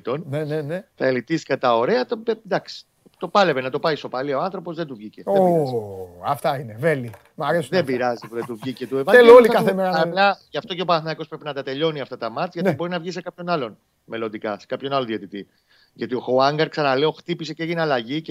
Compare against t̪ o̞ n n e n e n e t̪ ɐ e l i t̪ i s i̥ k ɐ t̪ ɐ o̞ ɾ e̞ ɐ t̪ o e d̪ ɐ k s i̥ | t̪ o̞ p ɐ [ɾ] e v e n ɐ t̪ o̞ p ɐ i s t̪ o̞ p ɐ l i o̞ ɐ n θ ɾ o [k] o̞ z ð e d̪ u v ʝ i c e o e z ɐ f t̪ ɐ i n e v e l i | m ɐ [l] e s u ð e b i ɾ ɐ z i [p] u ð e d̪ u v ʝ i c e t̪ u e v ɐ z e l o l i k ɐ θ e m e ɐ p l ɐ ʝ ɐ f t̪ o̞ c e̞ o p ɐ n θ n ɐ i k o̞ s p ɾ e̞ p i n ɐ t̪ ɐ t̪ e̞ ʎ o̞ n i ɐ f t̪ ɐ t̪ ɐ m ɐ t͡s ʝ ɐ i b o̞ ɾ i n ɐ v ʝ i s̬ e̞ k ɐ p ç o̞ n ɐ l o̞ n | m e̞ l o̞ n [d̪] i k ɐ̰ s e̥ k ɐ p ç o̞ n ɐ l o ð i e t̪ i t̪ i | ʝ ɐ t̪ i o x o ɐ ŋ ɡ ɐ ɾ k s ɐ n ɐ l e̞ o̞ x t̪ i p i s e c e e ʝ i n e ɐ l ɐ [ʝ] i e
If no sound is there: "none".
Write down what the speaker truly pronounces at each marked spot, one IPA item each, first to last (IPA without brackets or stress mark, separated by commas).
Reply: l, p, ɾ, p, d̪, ʝ